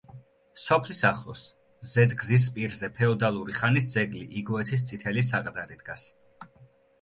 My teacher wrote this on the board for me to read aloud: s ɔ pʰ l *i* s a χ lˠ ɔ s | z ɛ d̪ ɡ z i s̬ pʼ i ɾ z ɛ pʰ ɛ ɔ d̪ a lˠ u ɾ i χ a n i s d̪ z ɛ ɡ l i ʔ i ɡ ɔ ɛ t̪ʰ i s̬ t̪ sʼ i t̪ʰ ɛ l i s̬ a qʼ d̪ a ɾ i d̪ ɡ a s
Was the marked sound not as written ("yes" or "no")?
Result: no